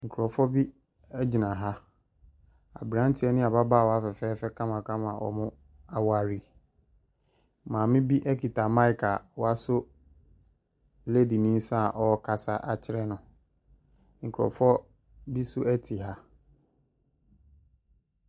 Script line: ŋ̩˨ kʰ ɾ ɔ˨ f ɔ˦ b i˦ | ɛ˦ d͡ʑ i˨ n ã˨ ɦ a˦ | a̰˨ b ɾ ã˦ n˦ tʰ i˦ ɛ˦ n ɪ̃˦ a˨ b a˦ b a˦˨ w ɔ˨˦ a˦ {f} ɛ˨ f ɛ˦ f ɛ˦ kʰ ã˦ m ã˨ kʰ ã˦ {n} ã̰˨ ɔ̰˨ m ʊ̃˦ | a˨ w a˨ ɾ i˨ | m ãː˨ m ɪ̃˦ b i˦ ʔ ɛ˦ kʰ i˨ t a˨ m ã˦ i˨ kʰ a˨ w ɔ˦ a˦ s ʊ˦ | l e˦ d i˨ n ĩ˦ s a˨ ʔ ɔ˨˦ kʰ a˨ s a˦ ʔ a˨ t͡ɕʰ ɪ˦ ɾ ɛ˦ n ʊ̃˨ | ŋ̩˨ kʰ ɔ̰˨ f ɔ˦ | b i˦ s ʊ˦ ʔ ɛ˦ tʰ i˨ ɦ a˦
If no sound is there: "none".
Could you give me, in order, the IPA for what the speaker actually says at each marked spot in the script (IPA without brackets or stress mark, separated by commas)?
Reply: f, m